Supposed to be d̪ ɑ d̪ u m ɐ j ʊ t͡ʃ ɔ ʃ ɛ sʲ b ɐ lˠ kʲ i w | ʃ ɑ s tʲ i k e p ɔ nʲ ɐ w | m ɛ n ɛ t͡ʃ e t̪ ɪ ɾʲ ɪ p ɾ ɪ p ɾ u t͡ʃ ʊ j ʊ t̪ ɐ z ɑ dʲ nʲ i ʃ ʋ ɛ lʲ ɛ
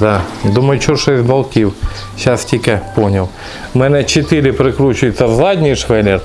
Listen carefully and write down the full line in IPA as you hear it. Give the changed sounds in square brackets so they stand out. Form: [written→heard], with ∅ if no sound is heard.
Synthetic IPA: d̪ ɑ d̪ u m ɐ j ʊ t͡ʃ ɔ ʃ ɛ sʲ b ɐ lˠ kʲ i w | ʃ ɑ s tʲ i k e p ɔ nʲ ɐ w | m ɛ n ɛ t͡ʃ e t̪ ɪ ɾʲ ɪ p ɾ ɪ [p→k] ɾ u t͡ʃ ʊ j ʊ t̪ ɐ z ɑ dʲ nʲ i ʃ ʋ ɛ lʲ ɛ